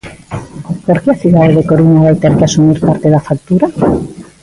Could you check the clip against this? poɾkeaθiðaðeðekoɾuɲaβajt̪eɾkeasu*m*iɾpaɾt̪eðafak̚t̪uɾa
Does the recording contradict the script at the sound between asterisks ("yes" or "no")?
no